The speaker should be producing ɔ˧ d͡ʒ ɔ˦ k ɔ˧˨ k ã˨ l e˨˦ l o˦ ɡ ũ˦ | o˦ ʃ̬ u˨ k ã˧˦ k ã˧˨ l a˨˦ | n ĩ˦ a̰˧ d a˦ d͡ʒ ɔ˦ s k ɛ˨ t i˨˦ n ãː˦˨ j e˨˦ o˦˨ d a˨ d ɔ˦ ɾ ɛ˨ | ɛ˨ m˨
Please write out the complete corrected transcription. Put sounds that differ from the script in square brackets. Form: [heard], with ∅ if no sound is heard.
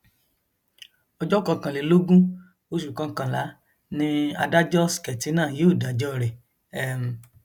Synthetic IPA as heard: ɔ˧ d͡ʒ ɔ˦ k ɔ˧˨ k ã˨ l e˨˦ l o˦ ɡ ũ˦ | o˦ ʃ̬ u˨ k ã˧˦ k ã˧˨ l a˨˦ | n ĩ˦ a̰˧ d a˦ d͡ʒ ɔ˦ s k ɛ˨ t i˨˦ n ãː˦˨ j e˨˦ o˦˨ d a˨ [d͡ʒ] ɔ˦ ɾ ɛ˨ | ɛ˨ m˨